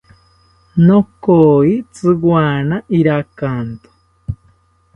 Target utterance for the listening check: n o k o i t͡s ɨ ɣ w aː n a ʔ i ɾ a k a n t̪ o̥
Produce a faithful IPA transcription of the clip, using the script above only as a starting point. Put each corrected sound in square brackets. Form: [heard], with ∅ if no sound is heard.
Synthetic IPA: n o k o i t͡s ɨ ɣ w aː n a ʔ i ɾ a k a n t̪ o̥